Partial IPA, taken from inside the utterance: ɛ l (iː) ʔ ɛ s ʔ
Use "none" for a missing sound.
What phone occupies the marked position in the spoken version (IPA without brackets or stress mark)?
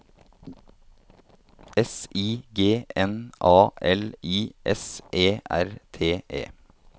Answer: iː